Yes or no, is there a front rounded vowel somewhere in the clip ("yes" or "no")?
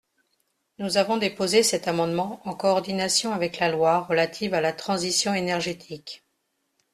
no